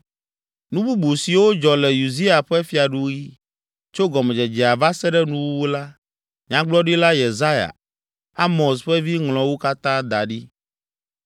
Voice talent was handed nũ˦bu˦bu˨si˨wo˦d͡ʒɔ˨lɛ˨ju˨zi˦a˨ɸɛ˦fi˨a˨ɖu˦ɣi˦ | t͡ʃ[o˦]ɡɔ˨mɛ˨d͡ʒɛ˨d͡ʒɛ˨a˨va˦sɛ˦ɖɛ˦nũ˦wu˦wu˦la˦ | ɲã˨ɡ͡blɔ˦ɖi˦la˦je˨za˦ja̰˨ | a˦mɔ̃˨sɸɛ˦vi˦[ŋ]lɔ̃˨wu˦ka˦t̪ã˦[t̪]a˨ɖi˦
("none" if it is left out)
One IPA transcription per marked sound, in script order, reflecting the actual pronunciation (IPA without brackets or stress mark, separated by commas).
o˦, ŋ, d̪